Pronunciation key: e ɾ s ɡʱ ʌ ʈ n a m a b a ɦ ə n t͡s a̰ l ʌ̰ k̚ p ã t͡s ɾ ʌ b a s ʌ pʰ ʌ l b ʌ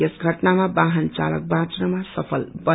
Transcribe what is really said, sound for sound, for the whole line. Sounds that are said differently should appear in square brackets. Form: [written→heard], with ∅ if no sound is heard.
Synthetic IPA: e [ɾ→∅] s ɡʱ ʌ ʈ n a m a b a ɦ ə n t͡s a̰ l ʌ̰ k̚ [p→b] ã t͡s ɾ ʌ [b→m] a s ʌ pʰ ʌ l b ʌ